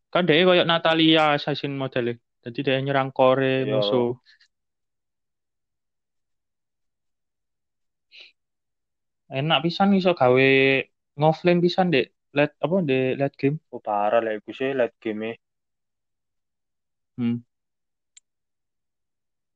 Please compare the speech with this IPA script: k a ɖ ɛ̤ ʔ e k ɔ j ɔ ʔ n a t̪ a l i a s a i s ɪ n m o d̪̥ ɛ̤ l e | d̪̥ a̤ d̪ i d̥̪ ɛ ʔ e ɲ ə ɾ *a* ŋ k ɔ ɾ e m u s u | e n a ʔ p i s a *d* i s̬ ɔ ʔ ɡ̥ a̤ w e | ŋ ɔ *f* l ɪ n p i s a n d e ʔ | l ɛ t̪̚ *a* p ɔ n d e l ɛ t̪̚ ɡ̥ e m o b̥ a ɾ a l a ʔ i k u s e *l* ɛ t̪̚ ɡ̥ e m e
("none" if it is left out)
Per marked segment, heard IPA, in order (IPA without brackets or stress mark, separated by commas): a, n, f, a, l